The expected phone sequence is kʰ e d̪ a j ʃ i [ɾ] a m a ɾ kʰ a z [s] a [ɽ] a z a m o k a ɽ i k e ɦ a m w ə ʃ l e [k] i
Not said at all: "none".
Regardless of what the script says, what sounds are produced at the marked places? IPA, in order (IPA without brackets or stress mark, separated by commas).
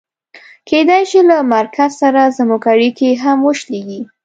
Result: l, s, ɾ, ɡ